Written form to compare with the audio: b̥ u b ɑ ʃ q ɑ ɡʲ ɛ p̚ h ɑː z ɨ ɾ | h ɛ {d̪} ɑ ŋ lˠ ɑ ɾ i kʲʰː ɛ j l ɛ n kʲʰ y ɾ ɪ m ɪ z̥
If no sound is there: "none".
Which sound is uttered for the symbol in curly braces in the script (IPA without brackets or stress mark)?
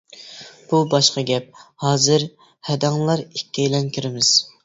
d̪